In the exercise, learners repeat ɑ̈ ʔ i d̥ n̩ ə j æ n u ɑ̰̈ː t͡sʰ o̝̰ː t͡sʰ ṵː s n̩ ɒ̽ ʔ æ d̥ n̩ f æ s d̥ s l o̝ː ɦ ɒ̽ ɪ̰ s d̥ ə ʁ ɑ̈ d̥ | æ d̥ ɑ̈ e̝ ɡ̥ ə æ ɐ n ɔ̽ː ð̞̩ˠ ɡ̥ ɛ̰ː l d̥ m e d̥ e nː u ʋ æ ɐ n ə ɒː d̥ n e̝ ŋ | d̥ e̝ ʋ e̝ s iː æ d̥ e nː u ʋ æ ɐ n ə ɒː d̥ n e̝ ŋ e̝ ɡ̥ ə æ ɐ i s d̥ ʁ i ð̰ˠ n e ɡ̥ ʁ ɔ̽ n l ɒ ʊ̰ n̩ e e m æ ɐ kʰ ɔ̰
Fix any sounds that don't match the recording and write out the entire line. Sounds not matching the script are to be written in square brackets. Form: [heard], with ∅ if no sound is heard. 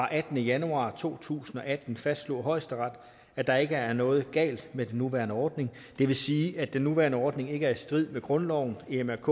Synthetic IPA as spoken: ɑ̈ ʔ [æ] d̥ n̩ ə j æ n u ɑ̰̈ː t͡sʰ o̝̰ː t͡sʰ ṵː s n̩ ɒ̽ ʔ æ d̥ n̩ f æ s d̥ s l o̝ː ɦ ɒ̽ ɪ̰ s d̥ ə ʁ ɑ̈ d̥ | æ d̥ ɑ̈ e̝ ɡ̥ ə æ ɐ n ɔ̽ː ð̞̩ˠ ɡ̥ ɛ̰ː l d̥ m e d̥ e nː u ʋ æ ɐ n ə ɒː d̥ n e̝ ŋ | d̥ e̝ ʋ e̝ s iː æ d̥ e nː u ʋ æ ɐ n ə ɒː d̥ n e̝ ŋ e̝ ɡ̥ ə æ ɐ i s d̥ ʁ i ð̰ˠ [m] e ɡ̥ ʁ ɔ̽ n l ɒ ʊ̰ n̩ e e m æ ɐ kʰ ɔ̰